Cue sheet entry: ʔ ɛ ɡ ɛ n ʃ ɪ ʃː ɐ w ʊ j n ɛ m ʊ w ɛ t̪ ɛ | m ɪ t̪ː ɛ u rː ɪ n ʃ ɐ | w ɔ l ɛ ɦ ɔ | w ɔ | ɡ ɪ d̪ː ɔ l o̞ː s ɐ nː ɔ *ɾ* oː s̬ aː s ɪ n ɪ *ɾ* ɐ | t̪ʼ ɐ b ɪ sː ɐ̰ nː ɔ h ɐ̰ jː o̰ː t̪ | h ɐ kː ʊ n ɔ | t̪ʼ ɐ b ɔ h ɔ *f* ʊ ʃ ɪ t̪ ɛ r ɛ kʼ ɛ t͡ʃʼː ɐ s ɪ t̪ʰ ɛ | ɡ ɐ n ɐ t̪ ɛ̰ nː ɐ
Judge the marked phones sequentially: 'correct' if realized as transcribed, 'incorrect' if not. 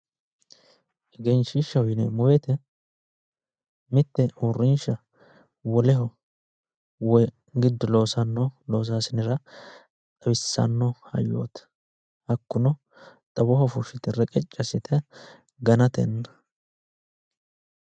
incorrect, correct, correct

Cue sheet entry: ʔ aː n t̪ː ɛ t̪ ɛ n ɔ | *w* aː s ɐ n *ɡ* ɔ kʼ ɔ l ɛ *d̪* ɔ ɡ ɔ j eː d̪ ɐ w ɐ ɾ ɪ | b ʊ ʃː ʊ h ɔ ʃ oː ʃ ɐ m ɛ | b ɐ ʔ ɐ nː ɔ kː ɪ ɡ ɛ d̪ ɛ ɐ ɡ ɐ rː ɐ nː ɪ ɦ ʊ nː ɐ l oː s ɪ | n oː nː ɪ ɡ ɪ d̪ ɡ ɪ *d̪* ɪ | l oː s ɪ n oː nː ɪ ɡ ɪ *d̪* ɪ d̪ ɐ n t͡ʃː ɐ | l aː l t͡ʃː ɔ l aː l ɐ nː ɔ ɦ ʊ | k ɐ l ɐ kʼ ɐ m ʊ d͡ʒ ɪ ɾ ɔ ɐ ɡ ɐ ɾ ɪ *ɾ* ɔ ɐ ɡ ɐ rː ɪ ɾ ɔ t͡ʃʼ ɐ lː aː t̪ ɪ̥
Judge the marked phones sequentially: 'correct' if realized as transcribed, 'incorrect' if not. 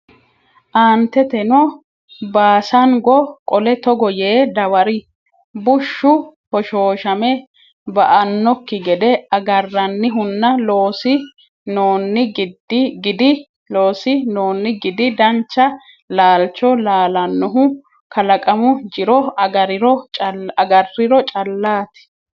incorrect, correct, incorrect, correct, correct, correct

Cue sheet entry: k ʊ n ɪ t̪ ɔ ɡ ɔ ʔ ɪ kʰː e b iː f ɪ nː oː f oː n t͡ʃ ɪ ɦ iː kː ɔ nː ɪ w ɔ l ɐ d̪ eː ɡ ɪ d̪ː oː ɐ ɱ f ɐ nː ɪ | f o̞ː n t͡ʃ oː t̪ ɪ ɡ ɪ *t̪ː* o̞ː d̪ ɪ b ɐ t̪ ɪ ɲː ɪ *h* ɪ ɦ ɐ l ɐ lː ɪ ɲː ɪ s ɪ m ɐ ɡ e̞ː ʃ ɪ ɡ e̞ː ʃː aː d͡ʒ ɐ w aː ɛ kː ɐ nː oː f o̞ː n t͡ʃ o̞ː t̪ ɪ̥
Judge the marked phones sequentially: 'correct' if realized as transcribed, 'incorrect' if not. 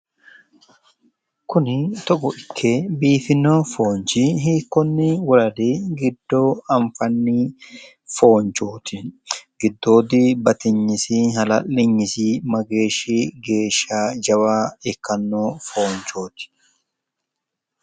incorrect, incorrect

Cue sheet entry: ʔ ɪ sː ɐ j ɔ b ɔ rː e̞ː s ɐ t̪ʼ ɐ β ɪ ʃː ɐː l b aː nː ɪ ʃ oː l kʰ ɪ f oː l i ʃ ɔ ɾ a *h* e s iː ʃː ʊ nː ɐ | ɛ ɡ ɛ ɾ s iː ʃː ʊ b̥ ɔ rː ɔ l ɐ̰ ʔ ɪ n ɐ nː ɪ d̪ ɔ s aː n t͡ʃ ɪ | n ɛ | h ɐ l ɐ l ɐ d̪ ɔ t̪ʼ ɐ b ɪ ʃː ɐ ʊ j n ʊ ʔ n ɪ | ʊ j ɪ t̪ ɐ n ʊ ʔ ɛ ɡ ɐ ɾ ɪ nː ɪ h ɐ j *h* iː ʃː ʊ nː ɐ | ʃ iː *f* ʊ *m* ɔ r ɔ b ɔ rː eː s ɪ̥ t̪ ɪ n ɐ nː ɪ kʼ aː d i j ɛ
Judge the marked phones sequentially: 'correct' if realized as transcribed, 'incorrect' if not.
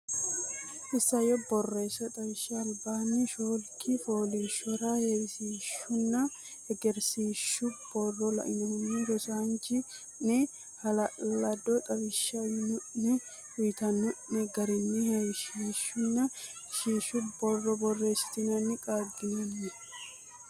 correct, incorrect, incorrect, incorrect

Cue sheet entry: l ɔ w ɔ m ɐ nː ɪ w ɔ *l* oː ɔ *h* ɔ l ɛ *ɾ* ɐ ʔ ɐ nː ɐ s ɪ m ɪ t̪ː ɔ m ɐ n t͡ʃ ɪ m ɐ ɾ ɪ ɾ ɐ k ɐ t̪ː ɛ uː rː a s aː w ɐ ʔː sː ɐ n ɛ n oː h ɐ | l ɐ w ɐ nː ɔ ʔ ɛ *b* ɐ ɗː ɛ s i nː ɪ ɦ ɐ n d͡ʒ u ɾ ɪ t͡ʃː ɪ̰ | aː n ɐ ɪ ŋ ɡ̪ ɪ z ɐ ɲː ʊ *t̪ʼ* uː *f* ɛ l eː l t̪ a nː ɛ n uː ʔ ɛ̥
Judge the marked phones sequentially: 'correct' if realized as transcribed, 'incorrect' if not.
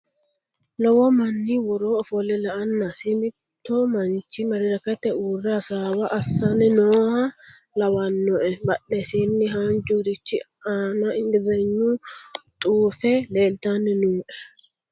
incorrect, incorrect, incorrect, correct, correct, correct

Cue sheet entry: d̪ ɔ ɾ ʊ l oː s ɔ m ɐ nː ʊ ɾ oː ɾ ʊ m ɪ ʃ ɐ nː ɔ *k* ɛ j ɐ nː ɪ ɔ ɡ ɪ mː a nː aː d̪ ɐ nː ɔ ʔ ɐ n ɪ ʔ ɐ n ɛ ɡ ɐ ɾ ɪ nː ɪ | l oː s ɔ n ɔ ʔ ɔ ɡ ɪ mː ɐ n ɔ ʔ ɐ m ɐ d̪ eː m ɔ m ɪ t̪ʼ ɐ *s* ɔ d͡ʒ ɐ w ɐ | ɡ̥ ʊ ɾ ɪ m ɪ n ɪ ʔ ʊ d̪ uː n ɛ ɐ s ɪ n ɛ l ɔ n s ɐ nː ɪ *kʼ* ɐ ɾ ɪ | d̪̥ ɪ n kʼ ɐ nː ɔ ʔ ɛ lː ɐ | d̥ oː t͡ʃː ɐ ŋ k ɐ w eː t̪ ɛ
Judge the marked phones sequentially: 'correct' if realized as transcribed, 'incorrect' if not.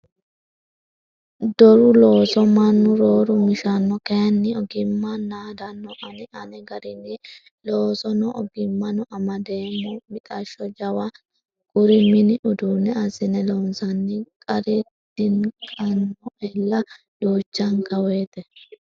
correct, incorrect, correct

